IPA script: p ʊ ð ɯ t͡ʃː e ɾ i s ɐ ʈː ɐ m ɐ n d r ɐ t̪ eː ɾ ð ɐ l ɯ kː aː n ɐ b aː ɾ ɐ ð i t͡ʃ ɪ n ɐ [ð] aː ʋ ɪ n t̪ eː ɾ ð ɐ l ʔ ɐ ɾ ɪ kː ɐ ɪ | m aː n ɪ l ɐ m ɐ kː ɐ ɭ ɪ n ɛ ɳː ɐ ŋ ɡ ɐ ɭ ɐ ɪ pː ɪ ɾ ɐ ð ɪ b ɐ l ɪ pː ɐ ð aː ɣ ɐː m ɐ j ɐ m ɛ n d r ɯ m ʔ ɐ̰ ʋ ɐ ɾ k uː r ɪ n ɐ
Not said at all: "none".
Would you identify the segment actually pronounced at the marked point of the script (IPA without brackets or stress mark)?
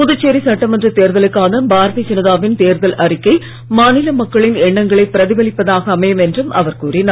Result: ð